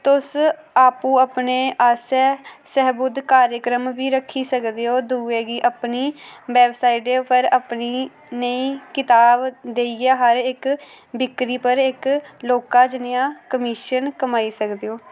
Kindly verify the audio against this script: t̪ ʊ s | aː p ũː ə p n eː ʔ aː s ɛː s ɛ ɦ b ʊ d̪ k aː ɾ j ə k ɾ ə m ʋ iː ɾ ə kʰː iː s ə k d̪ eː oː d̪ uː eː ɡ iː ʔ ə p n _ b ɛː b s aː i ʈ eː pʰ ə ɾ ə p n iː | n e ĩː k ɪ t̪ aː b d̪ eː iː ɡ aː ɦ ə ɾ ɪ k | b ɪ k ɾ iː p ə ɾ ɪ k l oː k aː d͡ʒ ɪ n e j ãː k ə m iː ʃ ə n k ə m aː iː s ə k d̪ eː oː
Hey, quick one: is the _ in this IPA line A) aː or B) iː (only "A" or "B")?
B